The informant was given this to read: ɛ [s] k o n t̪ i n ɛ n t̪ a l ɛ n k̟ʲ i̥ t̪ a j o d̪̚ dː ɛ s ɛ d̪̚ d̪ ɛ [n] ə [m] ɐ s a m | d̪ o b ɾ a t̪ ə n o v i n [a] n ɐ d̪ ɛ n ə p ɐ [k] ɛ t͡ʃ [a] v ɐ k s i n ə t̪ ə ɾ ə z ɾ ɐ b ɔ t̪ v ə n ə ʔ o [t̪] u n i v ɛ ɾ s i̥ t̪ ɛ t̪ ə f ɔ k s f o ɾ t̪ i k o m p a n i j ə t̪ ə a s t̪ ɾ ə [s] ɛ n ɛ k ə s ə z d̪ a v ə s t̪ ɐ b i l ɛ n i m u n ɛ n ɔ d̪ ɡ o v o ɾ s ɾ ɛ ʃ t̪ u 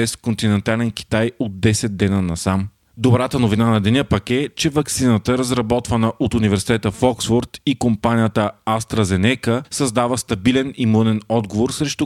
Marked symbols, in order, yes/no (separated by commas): yes, yes, no, yes, yes, no, yes, no